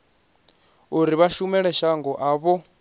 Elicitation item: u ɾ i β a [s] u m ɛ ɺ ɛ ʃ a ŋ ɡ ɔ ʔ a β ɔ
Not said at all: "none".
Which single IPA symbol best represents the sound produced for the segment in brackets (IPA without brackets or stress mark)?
ʃ